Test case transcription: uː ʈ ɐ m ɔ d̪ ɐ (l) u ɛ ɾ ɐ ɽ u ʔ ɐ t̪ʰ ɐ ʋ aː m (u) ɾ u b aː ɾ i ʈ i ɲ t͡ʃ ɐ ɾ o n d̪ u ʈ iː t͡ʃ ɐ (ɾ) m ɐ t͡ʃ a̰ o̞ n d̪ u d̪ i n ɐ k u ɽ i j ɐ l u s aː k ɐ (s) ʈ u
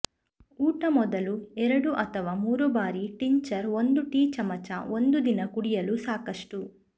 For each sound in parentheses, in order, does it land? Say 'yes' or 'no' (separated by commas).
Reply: yes, no, no, no